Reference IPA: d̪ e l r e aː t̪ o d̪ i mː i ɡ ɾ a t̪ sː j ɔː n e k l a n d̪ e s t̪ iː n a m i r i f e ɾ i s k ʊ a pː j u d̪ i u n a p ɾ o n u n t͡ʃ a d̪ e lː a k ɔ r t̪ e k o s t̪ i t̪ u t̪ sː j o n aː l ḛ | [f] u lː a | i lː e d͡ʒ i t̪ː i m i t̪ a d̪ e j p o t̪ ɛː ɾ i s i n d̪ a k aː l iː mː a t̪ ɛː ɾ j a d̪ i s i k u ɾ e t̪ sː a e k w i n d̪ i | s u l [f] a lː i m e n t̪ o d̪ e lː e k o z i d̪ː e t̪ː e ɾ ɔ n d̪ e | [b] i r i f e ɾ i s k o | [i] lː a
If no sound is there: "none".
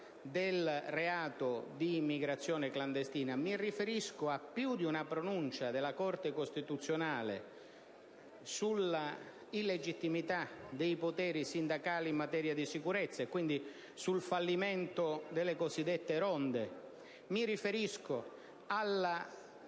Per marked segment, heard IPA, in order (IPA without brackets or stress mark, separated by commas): s, f, m, a